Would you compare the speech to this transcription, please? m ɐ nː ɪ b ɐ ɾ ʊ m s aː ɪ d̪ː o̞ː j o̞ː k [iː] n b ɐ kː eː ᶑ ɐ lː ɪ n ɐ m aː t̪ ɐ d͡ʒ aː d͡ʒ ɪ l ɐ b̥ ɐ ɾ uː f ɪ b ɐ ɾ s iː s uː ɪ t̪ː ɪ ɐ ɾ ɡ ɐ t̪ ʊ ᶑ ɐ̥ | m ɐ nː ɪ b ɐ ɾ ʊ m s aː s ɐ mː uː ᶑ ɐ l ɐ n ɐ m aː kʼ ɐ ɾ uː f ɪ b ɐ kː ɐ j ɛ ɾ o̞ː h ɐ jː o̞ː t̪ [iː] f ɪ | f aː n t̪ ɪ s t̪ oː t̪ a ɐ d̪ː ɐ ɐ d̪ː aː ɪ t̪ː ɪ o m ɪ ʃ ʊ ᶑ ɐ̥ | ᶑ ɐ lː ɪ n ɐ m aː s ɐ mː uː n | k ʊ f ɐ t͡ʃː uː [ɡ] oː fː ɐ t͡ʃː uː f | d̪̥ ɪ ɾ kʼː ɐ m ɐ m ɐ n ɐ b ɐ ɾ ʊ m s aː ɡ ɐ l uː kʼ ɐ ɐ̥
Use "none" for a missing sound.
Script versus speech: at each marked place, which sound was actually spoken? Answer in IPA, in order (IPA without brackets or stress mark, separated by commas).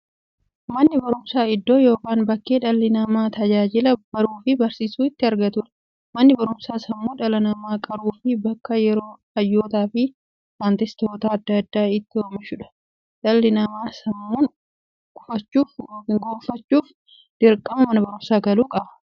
aː, aː, ɡ